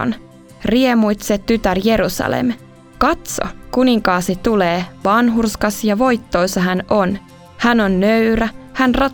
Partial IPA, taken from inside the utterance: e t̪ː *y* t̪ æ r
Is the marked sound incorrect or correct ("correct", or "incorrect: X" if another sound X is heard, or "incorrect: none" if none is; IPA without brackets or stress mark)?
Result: correct